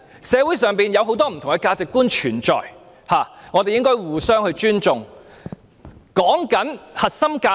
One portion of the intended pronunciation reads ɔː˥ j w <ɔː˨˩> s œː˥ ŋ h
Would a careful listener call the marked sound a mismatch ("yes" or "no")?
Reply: yes